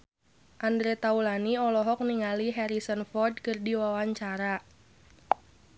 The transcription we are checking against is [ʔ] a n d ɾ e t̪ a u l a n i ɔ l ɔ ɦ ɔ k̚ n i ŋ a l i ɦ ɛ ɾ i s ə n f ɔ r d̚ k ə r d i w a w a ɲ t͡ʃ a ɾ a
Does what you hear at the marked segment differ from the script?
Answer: no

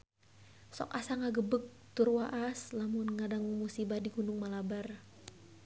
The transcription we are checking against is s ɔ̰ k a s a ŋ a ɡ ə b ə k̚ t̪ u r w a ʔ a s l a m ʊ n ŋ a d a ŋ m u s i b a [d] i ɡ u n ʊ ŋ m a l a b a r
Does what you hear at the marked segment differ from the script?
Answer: no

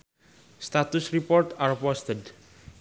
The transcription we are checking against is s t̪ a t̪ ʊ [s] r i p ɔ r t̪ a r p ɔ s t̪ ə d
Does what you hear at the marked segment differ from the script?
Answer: no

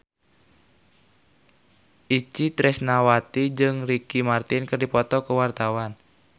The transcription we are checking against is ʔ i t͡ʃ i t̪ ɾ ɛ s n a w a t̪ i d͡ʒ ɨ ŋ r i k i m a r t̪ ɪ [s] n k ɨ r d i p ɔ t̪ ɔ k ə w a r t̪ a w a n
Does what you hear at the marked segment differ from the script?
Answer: yes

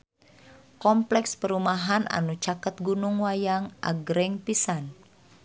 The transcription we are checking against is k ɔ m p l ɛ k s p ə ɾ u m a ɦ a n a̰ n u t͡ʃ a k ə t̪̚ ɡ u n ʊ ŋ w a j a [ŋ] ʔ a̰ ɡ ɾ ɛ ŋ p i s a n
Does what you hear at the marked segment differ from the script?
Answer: no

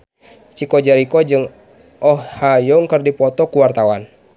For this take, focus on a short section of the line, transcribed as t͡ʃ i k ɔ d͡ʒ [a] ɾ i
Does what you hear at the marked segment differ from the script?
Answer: no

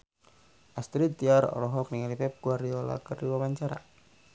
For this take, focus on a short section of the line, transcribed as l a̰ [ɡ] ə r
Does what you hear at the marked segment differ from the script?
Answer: yes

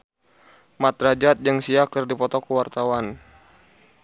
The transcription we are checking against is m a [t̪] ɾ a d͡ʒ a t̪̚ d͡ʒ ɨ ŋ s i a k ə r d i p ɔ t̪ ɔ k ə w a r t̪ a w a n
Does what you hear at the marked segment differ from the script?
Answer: no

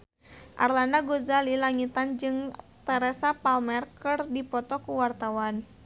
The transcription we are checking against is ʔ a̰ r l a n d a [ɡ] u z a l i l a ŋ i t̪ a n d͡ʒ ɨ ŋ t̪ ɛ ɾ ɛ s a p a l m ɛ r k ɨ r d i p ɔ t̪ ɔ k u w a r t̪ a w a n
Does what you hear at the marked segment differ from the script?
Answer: no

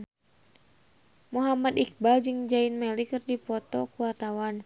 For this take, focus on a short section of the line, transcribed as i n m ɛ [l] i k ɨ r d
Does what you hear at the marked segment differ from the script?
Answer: no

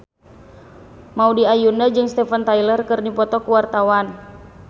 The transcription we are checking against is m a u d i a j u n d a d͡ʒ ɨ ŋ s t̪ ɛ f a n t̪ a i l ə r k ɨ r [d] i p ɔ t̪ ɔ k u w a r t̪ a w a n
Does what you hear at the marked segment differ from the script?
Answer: yes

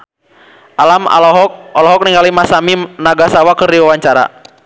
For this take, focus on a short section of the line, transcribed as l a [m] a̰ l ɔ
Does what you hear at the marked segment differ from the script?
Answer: no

